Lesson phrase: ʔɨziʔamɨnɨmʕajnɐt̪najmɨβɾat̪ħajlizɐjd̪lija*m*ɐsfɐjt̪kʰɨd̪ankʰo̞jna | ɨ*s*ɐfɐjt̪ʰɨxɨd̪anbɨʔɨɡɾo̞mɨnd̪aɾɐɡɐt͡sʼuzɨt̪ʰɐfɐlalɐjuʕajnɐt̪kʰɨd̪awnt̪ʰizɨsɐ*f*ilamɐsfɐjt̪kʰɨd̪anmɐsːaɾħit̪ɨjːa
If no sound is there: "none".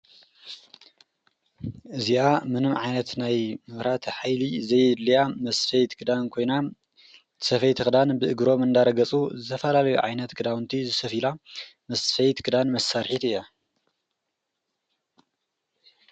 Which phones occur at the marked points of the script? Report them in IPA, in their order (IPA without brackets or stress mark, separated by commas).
m, s, f